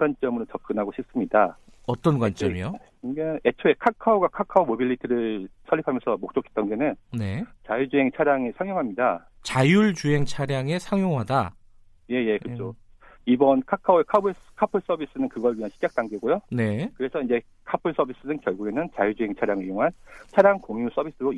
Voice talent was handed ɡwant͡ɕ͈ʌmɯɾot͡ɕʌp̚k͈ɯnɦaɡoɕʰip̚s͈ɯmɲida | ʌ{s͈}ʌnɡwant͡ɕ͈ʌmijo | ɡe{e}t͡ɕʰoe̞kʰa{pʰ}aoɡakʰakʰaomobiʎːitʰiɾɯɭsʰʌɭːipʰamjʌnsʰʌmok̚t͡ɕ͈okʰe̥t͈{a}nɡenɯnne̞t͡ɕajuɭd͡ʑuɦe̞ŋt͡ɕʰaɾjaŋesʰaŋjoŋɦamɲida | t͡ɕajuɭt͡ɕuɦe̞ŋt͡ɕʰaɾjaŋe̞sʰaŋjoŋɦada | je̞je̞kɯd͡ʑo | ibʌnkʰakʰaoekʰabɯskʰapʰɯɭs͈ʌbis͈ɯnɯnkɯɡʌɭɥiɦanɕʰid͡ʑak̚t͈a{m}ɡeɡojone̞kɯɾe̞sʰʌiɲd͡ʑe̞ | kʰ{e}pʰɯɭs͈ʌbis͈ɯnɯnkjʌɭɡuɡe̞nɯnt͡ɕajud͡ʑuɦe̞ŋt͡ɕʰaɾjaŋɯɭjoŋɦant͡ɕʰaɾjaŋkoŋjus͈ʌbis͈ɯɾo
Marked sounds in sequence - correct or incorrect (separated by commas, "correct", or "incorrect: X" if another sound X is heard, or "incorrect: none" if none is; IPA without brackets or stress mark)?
incorrect: t͈, correct, incorrect: kʰ, incorrect: ʌ, incorrect: ŋ, incorrect: a